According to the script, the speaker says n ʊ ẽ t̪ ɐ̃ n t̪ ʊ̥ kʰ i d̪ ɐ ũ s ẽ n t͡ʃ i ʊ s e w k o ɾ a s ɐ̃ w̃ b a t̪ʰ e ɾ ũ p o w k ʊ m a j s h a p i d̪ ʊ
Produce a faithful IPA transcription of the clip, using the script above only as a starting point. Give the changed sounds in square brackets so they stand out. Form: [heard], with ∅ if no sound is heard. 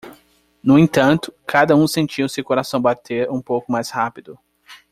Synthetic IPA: n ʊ ẽ t̪ ɐ̃ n t̪ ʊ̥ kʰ [a] d̪ ɐ ũ s ẽ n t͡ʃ i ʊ s e w k o ɾ a s ɐ̃ w̃ b a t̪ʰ e ɾ ũ p o w k ʊ m a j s h a p i d̪ ʊ